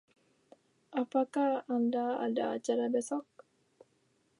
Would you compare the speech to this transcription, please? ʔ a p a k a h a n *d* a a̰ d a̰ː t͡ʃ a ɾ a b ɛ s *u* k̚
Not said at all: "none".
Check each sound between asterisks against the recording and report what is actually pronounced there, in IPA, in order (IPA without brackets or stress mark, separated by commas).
d, ɔ